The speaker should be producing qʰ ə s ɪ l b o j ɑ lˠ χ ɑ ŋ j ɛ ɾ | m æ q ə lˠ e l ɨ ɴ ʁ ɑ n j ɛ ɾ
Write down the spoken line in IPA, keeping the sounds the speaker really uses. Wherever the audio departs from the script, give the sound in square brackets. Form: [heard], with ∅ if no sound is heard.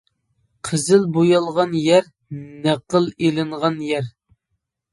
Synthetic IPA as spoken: qʰ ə [z] ɪ l b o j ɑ lˠ [ʁ] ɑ [n] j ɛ ɾ | [n] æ q ə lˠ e l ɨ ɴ ʁ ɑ n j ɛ ɾ